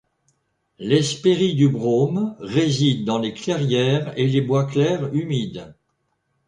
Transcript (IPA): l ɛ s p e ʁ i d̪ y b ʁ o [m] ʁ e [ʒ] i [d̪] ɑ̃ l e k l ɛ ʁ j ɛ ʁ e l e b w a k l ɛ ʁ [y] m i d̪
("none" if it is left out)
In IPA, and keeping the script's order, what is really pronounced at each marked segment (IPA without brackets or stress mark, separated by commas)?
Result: m, z, d̪ː, y